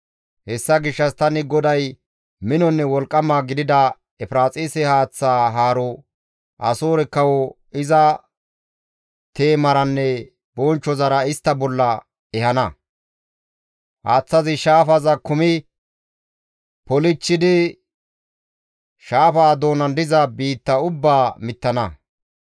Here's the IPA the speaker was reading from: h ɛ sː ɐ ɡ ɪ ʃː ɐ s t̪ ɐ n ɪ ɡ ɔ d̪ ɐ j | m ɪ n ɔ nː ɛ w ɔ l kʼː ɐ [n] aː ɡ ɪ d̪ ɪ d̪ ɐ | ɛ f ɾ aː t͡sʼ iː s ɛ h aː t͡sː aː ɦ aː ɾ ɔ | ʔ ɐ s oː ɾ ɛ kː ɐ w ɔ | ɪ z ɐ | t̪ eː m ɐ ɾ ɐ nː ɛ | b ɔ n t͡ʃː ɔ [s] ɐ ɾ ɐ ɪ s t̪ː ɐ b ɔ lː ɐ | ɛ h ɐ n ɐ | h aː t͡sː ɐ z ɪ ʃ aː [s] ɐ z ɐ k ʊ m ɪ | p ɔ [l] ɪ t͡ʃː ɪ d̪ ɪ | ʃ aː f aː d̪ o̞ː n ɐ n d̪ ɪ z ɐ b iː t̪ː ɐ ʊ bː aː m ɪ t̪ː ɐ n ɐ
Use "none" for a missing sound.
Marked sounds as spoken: m, z, f, l

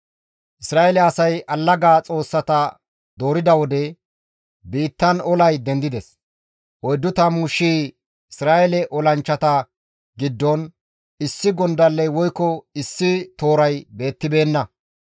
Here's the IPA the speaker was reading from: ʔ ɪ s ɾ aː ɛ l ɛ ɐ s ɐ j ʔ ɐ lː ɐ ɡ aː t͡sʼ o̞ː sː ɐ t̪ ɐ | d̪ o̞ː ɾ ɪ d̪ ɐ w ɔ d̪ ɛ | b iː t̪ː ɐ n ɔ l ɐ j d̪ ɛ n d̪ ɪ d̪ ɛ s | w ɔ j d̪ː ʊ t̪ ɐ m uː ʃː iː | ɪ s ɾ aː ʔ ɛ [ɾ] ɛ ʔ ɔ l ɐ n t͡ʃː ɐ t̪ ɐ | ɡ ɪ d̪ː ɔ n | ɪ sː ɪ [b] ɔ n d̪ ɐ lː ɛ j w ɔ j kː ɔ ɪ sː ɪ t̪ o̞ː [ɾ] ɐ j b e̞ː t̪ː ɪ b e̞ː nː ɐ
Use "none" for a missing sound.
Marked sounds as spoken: l, ɡ, ɾ

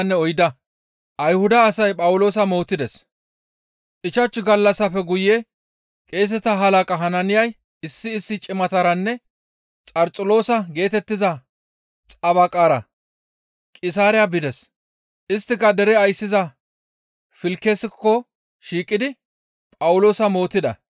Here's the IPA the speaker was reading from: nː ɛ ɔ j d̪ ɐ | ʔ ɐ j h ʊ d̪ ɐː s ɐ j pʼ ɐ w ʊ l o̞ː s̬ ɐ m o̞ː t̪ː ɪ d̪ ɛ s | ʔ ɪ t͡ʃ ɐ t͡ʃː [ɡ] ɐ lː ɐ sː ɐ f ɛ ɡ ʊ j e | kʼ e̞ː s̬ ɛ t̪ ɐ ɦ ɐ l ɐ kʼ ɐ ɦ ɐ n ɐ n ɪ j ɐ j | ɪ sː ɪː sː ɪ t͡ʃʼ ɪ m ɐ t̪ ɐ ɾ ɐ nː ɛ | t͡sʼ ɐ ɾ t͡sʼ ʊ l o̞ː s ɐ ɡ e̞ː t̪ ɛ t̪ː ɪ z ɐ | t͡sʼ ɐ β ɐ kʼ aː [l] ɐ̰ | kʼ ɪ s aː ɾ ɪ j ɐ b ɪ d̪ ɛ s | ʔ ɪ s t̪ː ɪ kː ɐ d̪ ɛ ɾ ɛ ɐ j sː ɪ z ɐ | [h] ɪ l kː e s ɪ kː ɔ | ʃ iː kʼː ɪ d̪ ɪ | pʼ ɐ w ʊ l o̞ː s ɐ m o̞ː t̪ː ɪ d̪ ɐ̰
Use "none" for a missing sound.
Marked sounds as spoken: ɡ, ɾ, f

